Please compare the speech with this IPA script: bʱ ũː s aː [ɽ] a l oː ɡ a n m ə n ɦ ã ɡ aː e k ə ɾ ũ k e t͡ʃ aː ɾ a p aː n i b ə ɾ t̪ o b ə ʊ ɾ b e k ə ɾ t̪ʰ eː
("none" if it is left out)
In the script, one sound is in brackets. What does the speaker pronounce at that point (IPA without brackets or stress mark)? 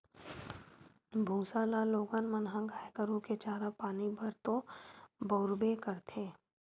l